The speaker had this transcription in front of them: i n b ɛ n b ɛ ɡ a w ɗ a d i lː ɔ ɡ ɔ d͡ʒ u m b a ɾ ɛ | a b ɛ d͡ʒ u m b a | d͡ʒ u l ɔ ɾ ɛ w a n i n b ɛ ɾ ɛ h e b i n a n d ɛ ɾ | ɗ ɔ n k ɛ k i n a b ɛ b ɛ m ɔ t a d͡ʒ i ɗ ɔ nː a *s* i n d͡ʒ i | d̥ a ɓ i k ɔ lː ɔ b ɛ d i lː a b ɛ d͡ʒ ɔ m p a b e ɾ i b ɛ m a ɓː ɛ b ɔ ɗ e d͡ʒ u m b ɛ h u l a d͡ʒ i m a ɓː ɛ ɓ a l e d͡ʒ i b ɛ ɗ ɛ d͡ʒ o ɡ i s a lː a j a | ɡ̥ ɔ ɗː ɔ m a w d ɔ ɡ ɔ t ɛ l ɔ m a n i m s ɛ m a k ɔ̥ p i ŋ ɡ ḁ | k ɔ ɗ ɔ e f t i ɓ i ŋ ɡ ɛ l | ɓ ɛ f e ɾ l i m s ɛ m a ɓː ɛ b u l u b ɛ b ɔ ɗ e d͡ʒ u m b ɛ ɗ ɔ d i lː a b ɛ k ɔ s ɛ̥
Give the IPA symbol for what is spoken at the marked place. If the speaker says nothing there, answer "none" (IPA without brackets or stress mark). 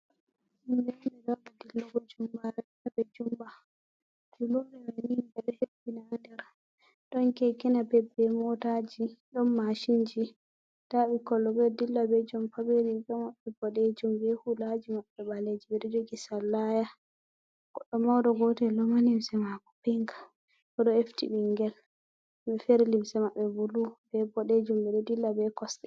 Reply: ʃ